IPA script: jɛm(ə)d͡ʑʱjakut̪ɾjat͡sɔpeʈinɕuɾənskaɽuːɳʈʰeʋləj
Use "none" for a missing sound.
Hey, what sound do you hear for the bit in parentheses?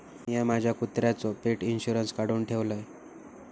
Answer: a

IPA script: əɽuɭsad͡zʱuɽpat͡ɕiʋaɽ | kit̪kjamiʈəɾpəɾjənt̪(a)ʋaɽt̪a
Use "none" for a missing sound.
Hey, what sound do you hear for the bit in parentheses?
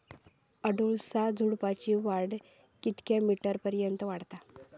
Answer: ə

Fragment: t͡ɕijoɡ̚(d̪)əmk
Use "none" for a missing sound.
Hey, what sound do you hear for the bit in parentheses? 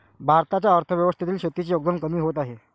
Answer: d̪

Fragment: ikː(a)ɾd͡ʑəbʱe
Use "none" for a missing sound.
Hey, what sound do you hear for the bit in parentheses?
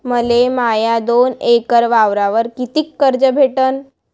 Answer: ə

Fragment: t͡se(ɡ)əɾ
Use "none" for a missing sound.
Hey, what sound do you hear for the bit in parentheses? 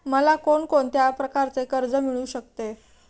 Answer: k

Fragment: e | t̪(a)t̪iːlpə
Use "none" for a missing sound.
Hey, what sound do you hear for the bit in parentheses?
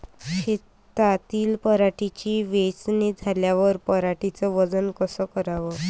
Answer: a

